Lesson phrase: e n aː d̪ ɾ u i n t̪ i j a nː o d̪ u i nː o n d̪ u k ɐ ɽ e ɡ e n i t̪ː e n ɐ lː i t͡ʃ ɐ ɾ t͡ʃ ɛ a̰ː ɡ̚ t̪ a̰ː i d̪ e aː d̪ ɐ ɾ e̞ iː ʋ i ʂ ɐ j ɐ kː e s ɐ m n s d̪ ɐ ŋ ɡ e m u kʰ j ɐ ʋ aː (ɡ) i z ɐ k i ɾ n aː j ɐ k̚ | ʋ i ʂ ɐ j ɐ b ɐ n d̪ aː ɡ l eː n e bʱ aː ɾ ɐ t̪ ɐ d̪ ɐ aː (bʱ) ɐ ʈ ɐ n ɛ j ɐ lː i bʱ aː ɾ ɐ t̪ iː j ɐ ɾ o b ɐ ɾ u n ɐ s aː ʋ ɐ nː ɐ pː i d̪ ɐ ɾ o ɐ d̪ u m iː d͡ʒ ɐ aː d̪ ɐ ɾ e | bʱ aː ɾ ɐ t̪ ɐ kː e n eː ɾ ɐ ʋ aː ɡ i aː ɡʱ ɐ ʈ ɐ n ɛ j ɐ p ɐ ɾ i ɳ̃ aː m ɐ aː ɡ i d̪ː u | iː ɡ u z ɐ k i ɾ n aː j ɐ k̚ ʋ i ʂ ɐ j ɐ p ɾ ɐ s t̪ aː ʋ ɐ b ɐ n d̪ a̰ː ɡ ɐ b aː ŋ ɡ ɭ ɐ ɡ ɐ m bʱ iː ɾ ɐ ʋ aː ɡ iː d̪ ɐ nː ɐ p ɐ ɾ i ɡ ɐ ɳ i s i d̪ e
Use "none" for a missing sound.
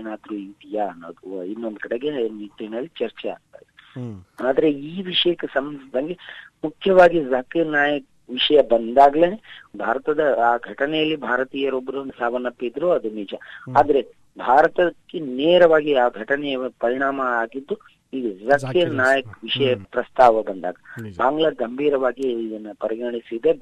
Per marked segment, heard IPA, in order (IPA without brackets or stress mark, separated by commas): ɡ, ɡʱ